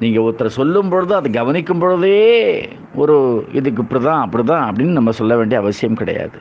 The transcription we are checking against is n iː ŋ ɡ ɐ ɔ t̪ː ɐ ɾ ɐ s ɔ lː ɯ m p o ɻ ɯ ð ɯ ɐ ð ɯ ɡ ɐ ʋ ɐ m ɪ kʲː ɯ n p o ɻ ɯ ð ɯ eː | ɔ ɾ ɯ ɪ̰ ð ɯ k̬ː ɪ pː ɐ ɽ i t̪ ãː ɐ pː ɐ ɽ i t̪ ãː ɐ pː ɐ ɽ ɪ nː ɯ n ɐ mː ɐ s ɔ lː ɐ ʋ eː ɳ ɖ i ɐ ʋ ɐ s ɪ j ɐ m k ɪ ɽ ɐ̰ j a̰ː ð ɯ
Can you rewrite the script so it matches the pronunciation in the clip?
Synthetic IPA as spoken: n iː ŋ ɡ ɐ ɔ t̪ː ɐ ɾ ɐ s ɔ lː ɯ m p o ɻ ɯ ð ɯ ɐ ð ɯ ɡ ɐ ʋ ɐ n ɪ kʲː ɯ m p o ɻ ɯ ð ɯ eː | ɔ ɾ ɯ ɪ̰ ð ɯ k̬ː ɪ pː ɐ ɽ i t̪ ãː ɐ pː ɐ ɽ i t̪ ãː ɐ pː ɐ ɽ ɪ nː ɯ n ɐ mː ɐ s ɔ lː ɐ ʋ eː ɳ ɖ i ɐ ʋ ɐ s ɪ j ɐ m k ɪ ɽ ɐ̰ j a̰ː ð ɯ